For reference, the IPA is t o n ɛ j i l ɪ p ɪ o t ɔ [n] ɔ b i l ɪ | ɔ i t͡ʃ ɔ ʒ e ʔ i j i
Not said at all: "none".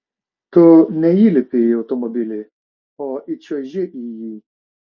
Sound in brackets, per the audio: m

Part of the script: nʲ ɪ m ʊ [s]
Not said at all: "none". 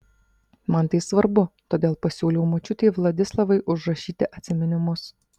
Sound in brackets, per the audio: s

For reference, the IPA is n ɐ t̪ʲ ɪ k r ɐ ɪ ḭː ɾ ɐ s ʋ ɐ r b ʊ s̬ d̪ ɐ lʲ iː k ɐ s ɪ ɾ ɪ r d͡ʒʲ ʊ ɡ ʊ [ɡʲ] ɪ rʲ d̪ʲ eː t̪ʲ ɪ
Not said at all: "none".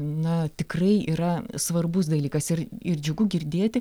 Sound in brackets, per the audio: ɡʲ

